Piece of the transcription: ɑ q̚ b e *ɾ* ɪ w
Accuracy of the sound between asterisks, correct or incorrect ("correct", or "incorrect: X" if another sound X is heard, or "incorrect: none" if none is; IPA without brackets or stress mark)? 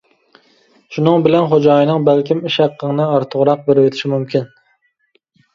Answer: correct